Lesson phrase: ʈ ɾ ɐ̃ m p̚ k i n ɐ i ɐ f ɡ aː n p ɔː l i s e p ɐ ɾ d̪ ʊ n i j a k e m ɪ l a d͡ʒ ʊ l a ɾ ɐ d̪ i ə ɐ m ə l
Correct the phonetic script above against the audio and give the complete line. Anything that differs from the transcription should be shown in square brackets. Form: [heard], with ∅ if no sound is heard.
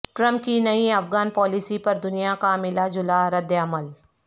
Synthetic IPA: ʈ ɾ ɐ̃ m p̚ k i n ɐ i ɐ f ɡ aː n p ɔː l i s [i] p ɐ ɾ d̪ ʊ n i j a k [a] m ɪ l a d͡ʒ ʊ l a ɾ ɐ d̪ [j] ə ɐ m ə l